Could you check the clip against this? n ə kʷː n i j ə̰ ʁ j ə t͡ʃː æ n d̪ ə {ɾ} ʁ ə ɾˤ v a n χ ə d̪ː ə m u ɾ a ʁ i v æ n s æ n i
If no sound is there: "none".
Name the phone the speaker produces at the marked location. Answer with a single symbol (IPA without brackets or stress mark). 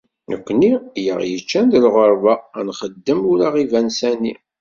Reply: l